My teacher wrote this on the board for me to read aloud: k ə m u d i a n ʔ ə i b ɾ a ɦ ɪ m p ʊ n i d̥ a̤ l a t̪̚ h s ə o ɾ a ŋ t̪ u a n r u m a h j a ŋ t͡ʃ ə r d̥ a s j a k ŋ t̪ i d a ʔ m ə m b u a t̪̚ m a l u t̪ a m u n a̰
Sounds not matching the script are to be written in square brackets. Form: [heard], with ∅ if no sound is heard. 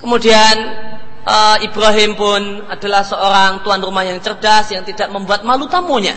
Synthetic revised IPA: k ə m u d i a n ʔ ə i b ɾ a ɦ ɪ m p ʊ n [a] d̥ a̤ l a [∅] h s ə o ɾ a ŋ t̪ u a n r u m a h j a ŋ t͡ʃ ə r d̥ a s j a [∅] ŋ t̪ i d a ʔ m ə m b u a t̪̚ m a l u t̪ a m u [ɲ] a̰